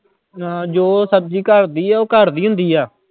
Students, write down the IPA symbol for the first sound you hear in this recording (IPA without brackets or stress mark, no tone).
d͡ʒ